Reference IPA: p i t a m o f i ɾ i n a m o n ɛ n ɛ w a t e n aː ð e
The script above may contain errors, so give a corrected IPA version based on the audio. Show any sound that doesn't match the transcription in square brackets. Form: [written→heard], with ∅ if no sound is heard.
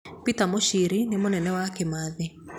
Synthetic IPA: p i t a m o [f→ʃ] i ɾ i n [a→e] m o n ɛ n ɛ w a [t→k] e [n→m] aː ð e